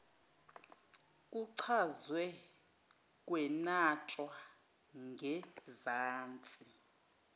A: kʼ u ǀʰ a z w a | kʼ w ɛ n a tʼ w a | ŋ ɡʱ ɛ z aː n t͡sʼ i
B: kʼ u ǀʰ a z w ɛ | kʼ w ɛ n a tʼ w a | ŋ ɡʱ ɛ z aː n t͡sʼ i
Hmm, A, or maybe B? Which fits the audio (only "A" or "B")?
B